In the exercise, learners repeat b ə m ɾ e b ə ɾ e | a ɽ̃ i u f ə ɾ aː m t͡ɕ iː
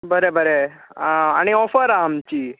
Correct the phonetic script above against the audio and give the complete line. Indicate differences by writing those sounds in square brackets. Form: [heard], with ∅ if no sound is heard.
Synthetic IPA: b ə [∅] ɾ e b ə ɾ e | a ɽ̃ i [ɔ] f ə ɾ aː m t͡ɕ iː